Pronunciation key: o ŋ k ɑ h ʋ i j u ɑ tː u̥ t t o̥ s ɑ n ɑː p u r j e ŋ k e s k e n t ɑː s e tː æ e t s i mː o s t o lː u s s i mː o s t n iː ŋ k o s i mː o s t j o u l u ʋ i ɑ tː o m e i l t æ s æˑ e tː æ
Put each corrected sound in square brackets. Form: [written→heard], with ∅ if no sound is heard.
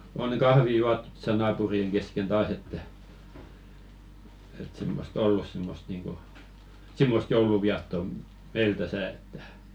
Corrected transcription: o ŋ k ɑ h ʋ i j u ɑ tː u̥ t t o̥ s ɑ n ɑː p u r [j→i] e ŋ k e s k e n t ɑː s e tː æ e t s i mː o s t o lː u s s i mː o s t n iː ŋ k o s i mː o s t j o u l u ʋ i ɑ tː o m e i l t æ s æˑ e tː æ